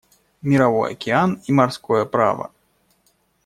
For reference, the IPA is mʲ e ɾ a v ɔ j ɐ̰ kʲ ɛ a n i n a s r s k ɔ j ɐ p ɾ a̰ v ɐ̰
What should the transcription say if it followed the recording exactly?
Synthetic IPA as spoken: mʲ i ɾ a v ɔ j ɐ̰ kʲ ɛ a n i m a r s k ɔ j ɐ p ɾ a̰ v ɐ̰